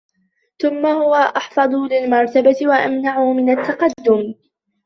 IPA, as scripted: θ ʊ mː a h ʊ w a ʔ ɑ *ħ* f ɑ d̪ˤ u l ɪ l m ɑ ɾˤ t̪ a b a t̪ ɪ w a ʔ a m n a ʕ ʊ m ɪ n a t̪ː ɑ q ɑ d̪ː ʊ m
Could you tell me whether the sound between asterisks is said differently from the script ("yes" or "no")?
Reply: no